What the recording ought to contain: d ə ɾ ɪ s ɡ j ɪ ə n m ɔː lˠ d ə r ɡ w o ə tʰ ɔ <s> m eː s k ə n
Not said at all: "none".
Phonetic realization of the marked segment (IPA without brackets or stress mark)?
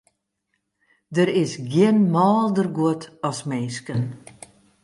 s